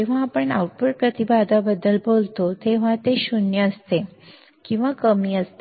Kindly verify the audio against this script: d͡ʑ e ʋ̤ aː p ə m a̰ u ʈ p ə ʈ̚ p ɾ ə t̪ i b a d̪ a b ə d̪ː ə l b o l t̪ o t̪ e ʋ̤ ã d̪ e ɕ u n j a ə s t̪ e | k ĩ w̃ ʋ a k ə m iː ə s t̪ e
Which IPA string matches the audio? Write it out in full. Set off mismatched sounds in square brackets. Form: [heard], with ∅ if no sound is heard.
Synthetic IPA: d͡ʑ e ʋ̤ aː p ə [ɳ] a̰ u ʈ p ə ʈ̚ p ɾ ə t̪ i b a d̪ a b ə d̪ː ə l b o l t̪ o t̪ e ʋ̤ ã [t̪] e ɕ u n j [ə] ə s t̪ e | k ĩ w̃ ʋ a k ə m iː ə s t̪ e